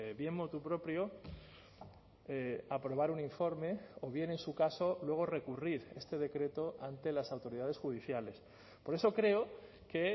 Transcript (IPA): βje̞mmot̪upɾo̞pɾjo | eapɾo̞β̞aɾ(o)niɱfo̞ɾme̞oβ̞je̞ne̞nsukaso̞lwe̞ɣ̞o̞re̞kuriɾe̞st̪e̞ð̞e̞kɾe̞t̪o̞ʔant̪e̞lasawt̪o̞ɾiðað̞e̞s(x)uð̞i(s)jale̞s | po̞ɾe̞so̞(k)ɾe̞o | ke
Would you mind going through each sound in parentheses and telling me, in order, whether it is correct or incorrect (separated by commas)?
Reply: incorrect, correct, incorrect, correct